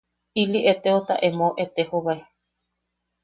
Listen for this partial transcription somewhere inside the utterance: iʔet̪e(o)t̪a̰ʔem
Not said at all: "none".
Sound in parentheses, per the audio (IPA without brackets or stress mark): o